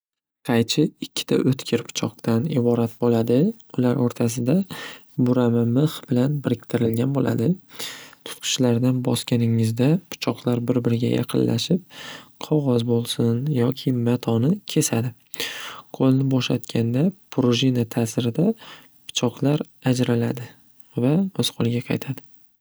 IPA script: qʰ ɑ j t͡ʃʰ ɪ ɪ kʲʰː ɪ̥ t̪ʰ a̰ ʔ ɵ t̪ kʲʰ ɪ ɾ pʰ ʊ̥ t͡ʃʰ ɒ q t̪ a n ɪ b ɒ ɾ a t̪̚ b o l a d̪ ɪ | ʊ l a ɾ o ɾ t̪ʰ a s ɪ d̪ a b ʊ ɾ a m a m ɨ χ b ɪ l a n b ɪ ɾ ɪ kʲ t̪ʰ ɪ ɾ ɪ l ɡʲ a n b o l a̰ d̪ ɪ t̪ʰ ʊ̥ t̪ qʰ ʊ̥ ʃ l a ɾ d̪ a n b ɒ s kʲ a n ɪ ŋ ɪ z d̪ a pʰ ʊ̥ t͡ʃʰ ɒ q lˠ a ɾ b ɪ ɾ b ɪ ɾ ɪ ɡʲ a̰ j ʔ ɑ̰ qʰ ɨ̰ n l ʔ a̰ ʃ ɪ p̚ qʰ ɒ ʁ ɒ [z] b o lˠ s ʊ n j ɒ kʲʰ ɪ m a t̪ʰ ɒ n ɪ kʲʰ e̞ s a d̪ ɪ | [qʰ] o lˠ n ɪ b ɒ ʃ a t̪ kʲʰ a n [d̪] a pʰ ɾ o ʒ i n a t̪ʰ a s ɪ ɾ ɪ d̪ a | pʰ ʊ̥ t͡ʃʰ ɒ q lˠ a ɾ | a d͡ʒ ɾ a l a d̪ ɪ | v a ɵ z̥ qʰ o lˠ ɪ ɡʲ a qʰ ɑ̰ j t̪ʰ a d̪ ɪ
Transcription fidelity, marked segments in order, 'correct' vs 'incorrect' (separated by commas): correct, correct, correct